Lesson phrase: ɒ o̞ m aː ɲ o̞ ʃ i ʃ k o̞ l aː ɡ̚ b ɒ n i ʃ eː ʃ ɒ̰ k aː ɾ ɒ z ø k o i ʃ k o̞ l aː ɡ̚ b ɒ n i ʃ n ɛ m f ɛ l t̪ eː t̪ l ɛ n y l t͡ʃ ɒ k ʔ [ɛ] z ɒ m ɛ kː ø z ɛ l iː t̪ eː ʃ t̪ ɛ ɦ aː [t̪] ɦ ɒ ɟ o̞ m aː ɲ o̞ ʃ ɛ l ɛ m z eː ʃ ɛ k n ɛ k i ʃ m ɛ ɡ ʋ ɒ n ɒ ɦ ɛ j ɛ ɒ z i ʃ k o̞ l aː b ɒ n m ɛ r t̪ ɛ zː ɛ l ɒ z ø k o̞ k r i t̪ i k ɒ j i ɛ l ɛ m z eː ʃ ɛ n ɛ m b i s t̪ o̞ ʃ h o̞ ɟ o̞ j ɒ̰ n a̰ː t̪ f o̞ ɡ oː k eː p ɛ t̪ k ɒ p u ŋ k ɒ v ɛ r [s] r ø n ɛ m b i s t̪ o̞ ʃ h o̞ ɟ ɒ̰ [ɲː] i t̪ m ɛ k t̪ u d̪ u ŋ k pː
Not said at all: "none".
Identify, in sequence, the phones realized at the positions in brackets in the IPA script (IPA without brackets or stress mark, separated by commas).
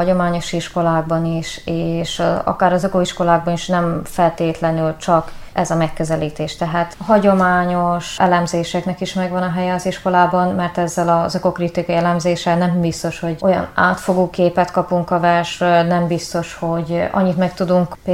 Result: ɛ, t̪, ʃ, ɲː